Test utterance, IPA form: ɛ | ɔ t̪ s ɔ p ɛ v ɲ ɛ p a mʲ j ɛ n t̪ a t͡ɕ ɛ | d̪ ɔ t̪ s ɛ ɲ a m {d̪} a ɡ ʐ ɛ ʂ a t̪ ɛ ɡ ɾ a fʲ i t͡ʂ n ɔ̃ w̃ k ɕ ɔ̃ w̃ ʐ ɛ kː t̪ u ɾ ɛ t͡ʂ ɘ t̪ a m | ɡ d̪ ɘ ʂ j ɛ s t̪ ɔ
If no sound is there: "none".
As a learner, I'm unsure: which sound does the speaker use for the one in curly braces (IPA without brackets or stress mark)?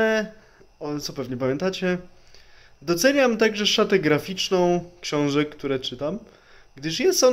t̪